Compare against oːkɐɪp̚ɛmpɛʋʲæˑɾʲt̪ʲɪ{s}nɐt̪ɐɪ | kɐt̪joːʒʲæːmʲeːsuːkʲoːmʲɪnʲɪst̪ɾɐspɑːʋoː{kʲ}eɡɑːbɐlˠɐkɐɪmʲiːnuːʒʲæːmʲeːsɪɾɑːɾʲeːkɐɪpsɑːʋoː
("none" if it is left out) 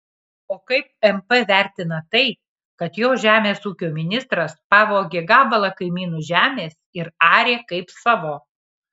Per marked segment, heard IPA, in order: none, ɡʲ

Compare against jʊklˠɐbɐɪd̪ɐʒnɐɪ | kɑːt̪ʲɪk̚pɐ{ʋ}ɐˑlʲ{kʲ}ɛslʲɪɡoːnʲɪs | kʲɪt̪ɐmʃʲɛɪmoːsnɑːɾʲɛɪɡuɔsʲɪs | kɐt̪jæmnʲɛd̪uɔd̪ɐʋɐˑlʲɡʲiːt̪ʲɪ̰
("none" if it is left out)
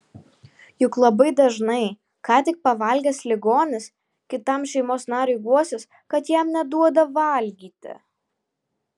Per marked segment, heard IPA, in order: ʋ, ɡʲ

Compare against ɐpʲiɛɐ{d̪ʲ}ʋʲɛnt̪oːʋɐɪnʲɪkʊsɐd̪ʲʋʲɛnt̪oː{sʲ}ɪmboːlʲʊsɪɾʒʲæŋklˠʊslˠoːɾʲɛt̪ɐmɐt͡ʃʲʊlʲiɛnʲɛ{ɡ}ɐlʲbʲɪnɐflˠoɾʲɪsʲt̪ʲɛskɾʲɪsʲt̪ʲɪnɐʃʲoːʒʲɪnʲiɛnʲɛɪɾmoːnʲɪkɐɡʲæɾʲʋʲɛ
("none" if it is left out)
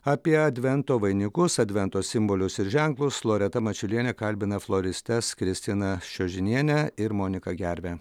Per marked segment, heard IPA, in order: d̪ʲ, sʲ, k

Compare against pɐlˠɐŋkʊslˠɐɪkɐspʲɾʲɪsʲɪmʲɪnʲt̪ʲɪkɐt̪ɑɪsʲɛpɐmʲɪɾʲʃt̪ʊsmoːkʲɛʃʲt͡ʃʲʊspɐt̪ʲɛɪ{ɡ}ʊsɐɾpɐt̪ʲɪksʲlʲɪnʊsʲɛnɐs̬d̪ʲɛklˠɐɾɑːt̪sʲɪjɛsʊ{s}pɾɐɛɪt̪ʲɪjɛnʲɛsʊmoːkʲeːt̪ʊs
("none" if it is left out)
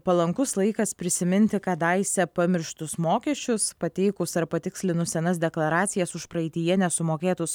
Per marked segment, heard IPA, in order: k, ʃ

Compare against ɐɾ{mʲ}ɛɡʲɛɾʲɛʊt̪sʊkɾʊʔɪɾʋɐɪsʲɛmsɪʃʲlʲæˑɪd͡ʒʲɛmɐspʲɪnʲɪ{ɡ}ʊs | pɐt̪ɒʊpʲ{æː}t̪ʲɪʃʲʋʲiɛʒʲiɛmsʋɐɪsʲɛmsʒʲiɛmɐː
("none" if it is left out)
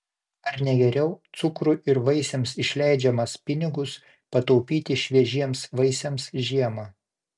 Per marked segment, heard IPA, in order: nʲ, ɡ, iː

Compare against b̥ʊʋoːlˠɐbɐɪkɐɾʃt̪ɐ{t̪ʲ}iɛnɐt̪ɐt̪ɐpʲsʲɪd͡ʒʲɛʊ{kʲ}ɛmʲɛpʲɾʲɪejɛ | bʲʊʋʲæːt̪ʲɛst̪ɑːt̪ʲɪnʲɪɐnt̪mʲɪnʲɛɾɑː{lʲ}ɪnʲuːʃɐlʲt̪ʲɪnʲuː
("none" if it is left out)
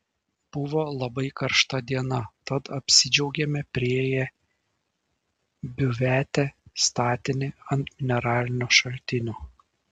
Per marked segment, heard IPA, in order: d̪ʲ, ɡʲ, lʲ

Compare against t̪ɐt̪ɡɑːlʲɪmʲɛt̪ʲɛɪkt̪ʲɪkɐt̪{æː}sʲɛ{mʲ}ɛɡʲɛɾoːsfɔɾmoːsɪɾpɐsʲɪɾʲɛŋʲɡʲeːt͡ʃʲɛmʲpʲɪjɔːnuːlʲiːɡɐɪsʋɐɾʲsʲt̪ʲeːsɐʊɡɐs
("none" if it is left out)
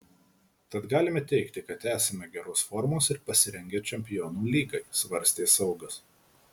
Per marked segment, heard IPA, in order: æː, mʲ

